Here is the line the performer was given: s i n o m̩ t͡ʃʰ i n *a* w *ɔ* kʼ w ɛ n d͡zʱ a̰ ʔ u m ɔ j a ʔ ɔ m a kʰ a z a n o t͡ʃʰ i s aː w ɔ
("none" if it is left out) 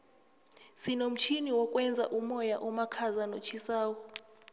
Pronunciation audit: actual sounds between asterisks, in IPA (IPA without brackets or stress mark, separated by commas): i, ɔ